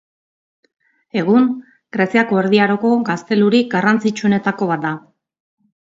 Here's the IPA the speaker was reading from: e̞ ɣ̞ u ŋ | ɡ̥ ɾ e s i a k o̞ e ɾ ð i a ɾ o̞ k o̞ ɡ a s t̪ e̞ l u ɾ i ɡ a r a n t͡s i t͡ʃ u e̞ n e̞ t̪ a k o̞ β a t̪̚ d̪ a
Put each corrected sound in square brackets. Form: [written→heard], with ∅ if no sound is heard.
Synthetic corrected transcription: e̞ ɣ̞ u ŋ | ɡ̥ ɾ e s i a k o̞ e ɾ ð i a ɾ o̞ k o̞ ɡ a s t̪ e̞ l u ɾ i ɡ a r a n t͡s i t͡ʃ u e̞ n e̞ t̪ a k o̞ β a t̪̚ d̪ a